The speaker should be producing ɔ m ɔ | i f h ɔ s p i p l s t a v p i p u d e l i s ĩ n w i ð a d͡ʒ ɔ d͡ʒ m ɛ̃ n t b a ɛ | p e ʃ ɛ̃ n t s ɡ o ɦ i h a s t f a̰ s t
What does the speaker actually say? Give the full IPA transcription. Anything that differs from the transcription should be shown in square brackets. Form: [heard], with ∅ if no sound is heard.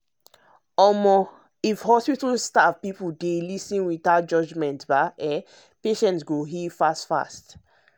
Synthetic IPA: ɔ m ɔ | i f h ɔ s p i [t] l s t a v p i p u d e l i s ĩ n w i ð a d͡ʒ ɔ d͡ʒ m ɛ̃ n t b a ɛ | p e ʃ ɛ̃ n t s ɡ o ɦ i [f] a s t f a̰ s t